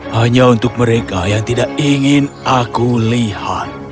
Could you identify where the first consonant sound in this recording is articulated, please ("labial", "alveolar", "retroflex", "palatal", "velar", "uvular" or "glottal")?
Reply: glottal